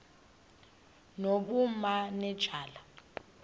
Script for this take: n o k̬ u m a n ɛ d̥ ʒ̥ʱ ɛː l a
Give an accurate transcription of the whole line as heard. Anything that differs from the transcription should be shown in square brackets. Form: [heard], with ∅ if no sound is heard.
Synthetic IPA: n o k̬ u m a n ɛ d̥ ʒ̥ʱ [aː] l a